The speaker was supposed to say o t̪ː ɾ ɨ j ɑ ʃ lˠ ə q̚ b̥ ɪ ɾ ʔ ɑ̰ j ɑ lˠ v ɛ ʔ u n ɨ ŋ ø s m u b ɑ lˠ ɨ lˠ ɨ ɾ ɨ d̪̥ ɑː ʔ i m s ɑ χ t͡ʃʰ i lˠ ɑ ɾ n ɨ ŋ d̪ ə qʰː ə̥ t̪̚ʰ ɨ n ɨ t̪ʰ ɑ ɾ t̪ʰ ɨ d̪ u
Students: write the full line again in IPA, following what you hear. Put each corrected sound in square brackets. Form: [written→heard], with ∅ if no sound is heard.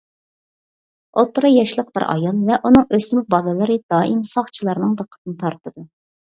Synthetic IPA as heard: o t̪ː ɾ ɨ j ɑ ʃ lˠ ə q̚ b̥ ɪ ɾ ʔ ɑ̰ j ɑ lˠ v ɛ ʔ u n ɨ ŋ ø s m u b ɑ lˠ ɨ lˠ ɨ ɾ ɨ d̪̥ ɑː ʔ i m s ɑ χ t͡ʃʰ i lˠ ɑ ɾ n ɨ ŋ d̪ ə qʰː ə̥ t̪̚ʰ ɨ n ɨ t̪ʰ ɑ ɾ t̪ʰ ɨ d̪ u